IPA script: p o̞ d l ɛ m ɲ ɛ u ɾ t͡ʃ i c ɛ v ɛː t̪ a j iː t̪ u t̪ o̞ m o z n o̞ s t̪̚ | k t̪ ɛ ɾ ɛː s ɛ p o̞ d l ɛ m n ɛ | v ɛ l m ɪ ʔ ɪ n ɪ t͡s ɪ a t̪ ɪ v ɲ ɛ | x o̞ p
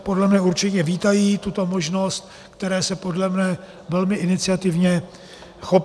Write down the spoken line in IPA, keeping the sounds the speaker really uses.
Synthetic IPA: p o̞ d l ɛ m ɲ ɛ u ɾ t͡ʃ ɪ c ɛ v iː t̪ a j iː t̪ u t̪ o̞ m o ʒ n o̞ s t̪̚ | k t̪ ɛ ɾ ɛː s ɛ p o̞ d l ɛ m n ɛ | v ɛ l m ɪ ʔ ɪ n ɪ t͡s ɪ a t̪ ɪ v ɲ ɛ | x o̞ p